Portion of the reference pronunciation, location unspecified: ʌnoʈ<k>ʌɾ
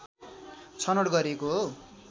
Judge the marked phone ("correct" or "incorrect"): incorrect